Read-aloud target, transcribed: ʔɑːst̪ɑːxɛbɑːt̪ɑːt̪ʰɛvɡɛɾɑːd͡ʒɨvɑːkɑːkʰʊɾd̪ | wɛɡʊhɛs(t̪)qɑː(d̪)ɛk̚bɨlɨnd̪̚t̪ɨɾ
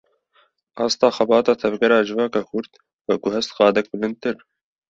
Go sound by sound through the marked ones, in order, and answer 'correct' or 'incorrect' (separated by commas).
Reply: correct, correct